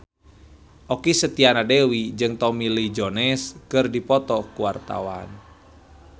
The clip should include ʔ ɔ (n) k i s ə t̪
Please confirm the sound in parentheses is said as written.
no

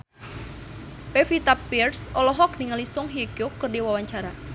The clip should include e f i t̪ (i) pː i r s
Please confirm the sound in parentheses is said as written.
no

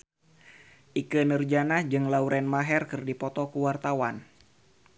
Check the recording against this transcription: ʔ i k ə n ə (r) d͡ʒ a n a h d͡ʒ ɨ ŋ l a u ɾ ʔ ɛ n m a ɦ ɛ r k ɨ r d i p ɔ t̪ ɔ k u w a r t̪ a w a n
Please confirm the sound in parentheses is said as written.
yes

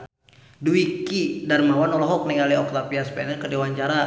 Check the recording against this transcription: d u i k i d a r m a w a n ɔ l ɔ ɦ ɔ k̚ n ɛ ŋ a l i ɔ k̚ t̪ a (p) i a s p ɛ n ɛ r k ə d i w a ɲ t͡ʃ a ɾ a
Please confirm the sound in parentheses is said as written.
yes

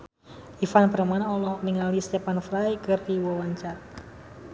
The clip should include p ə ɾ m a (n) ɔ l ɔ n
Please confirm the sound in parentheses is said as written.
yes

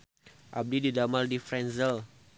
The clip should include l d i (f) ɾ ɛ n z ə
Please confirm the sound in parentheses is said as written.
yes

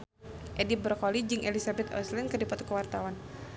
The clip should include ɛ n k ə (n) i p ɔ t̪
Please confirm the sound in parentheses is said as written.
no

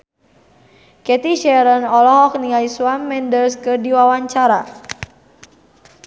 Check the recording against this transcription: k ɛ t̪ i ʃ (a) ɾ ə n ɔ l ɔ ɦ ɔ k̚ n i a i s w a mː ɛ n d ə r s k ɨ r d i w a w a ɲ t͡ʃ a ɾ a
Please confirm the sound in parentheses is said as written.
no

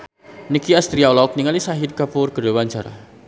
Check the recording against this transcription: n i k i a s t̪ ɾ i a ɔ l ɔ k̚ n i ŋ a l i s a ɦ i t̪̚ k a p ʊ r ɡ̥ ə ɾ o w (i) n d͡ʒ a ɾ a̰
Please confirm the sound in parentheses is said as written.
no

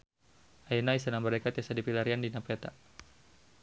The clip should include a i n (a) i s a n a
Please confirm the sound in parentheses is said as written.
yes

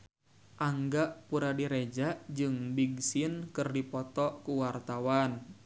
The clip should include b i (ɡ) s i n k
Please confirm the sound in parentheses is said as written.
yes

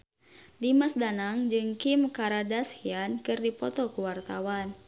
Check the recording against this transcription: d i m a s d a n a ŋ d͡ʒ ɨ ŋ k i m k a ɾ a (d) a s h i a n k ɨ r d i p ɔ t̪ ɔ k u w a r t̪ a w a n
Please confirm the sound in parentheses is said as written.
yes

